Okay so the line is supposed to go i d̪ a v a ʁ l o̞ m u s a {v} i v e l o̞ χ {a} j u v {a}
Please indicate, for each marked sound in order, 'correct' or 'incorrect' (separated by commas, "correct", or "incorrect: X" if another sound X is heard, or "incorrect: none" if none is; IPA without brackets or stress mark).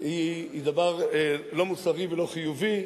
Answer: incorrect: ʁ, incorrect: i, incorrect: i